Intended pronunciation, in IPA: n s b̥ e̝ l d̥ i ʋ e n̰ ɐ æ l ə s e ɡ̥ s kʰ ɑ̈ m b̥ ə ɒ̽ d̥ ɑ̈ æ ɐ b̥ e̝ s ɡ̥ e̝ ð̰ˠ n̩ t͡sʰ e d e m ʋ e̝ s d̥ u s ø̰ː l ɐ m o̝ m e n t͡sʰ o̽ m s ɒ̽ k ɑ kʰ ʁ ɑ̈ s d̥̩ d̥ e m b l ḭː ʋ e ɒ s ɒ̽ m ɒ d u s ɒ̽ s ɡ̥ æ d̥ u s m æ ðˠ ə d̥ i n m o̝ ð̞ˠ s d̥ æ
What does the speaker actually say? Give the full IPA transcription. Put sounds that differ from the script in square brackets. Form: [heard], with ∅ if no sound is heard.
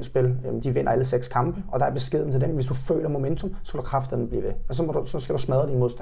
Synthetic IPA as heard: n s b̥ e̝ l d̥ i ʋ e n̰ ɐ æ l ə s e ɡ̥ s kʰ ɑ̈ m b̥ ə ɒ̽ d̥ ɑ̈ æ ɐ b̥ e̝ s ɡ̥ e̝ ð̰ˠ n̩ t͡sʰ e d e m ʋ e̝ s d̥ u [f] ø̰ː l ɐ m o̝ m e n t͡sʰ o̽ m s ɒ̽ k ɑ kʰ ʁ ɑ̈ [f] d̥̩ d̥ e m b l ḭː ʋ e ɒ s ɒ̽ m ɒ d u s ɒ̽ s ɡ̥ æ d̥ u s m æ ðˠ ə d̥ i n m o̝ ð̞ˠ s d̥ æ